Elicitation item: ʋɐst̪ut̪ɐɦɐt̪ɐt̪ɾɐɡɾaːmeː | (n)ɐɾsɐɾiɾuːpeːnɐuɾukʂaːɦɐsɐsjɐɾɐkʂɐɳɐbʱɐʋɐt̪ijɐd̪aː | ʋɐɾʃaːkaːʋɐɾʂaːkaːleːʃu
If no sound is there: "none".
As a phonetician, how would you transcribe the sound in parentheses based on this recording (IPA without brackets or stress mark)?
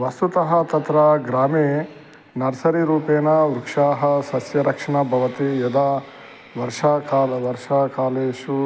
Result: n